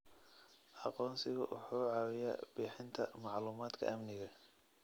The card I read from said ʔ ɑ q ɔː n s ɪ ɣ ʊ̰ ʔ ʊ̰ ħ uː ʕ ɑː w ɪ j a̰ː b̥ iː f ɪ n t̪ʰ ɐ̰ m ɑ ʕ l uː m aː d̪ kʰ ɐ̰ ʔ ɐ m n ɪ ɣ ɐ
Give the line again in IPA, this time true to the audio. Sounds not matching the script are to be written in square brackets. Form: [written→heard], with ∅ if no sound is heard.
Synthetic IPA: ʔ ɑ q ɔː n s ɪ ɣ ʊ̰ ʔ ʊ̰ ħ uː ʕ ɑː w ɪ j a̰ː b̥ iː [f→ħ] ɪ n t̪ʰ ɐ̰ m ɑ ʕ l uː m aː d̪ kʰ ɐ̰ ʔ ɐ m n ɪ ɣ ɐ